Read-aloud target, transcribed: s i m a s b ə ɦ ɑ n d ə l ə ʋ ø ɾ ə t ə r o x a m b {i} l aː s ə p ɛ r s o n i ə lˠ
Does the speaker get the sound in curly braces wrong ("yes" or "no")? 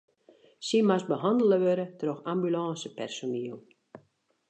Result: yes